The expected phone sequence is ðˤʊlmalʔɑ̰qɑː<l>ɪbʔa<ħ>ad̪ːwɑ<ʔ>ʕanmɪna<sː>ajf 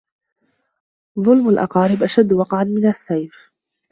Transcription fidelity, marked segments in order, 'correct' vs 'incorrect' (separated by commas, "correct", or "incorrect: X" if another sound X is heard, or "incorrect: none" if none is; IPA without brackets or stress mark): incorrect: ɾ, incorrect: ʃ, incorrect: q, correct